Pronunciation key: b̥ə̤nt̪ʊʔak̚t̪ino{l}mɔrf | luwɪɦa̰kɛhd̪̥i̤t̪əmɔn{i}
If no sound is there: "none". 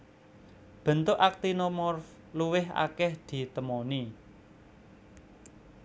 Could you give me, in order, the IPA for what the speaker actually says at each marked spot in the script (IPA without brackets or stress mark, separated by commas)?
none, i